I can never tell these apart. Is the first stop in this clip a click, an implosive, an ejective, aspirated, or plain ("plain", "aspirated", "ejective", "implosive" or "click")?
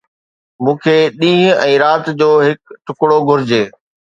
aspirated